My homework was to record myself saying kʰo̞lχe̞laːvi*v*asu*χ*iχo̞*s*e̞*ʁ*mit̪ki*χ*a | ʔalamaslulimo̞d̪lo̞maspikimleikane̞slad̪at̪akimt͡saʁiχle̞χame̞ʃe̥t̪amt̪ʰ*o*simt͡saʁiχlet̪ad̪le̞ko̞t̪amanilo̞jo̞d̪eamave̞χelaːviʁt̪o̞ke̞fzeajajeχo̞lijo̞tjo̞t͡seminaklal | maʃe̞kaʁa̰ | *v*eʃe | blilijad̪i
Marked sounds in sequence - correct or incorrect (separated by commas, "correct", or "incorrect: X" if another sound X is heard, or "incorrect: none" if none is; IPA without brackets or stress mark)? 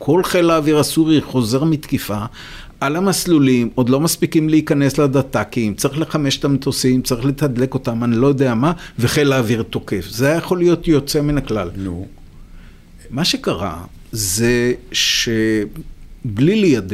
incorrect: ʁ, incorrect: ʁ, incorrect: z, correct, incorrect: f, correct, incorrect: z